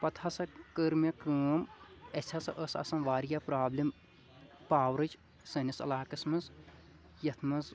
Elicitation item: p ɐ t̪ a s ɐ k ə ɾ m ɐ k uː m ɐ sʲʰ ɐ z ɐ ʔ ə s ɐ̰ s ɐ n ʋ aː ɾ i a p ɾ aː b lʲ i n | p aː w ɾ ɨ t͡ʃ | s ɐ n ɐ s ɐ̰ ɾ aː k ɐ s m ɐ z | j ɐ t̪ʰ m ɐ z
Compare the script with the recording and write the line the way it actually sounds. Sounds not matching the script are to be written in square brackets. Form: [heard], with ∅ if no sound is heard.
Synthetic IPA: p ɐ [t̪ʰ] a s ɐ k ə ɾ m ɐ k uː m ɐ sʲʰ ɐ [s] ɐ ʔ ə s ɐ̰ s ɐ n ʋ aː ɾ [j] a p ɾ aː b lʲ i [m] | p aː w ɾ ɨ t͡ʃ | s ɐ n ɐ s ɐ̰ [l] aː k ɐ s m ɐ z | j ɐ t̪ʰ m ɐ z